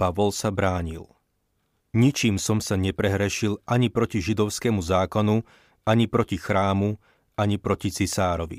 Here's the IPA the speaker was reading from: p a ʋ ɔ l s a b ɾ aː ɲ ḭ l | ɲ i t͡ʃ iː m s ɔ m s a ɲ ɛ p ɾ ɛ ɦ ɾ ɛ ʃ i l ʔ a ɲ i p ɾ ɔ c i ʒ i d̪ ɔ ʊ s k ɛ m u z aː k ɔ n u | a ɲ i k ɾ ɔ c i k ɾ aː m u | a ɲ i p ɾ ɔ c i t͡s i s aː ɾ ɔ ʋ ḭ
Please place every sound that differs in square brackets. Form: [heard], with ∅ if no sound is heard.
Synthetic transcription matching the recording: p a ʋ ɔ l s a b ɾ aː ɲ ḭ l | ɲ i t͡ʃ iː m s ɔ m s a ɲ ɛ p ɾ ɛ ɦ ɾ ɛ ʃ i l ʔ a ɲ i p ɾ ɔ c i ʒ i d̪ ɔ ʊ s k ɛ m u z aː k ɔ n u | a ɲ i [p] ɾ ɔ c i [x] ɾ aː m u | a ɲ i p ɾ ɔ c i t͡s i s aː ɾ ɔ ʋ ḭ